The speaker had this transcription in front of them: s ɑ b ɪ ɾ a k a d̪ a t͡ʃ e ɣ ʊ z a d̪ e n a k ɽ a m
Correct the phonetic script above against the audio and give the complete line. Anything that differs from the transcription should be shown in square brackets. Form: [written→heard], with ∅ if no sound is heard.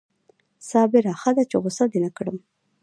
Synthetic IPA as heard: s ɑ b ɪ ɾ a [k→x] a d̪ a t͡ʃ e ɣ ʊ [z→s] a d̪ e n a k ɽ [a→ə] m